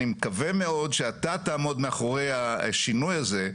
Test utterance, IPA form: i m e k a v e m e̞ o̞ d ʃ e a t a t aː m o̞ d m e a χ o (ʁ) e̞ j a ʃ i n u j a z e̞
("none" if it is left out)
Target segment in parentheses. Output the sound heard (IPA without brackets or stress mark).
ʁ